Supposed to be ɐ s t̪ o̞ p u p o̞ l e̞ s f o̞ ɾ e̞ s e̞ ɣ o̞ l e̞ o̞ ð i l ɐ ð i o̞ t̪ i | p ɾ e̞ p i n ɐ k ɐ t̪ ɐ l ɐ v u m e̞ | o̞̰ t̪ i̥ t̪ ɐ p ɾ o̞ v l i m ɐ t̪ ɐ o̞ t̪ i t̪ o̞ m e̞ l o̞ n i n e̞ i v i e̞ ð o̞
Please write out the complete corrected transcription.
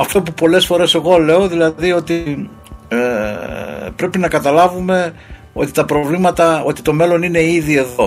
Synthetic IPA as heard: ɐ f t̪ o̞ p u p o̞ l e̞ s f o̞ ɾ e̞ s e̞ ɣ o̞ l e̞ o̞ ð i l ɐ ð i o̞ t̪ i | p ɾ e̞ p i n ɐ k ɐ t̪ ɐ l ɐ v u m e̞ | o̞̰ t̪ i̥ t̪ ɐ p ɾ o̞ v l i m ɐ t̪ ɐ o̞ t̪ i t̪ o̞ m e̞ l o̞ n i n e̞ i ð i e̞ ð o̞